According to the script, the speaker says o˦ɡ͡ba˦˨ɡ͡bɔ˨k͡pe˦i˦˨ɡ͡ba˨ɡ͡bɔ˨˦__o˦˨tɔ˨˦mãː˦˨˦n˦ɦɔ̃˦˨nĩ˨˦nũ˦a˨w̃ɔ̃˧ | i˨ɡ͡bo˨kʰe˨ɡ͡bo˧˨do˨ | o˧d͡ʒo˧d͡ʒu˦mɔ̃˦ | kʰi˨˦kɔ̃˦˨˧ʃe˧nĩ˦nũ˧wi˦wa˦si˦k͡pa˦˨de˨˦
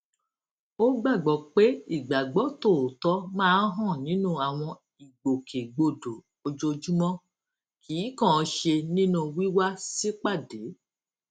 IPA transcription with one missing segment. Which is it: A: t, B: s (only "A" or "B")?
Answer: A